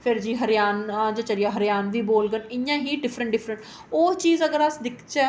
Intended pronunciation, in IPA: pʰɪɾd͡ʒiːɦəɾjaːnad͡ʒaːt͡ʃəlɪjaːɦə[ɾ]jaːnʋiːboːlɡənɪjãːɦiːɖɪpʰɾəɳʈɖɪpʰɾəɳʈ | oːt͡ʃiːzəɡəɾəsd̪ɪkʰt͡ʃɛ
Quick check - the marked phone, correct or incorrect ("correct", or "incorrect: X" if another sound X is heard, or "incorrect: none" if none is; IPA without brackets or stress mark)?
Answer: correct